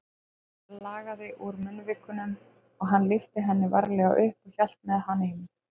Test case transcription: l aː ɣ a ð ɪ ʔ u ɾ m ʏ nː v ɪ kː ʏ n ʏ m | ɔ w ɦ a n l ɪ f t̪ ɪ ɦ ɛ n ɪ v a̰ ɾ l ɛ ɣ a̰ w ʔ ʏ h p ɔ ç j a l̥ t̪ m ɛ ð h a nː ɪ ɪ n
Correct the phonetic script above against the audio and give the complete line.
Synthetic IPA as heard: l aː ɣ a ð ɪ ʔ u ɾ m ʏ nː v ɪ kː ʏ n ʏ m | ɔ ɣ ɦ a n l ɪ f t̪ ɪ ɦ ɛ nː ɪ v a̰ ɾ l ɛ ɣ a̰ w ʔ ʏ h p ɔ ç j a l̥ t̪ m ɛ ð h a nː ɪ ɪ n